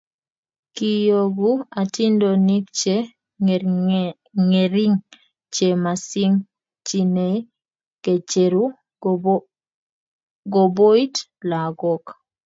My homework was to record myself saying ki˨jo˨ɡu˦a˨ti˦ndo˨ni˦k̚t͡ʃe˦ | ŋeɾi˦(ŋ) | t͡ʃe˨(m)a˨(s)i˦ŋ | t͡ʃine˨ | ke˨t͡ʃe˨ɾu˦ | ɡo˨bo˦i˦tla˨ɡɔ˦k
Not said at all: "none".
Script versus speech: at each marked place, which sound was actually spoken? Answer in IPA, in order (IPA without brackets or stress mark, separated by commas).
ŋ, m, s